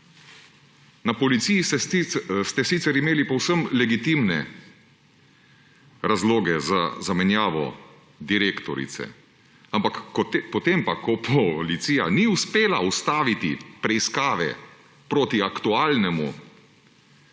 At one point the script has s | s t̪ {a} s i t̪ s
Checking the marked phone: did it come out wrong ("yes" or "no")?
yes